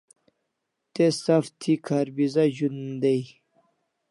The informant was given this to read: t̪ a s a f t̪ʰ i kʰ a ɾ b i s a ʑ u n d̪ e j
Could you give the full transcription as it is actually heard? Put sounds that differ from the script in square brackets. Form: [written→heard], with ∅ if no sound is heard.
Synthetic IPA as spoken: t̪ [a→e] s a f t̪ʰ i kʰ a ɾ b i [s→z] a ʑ u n d̪ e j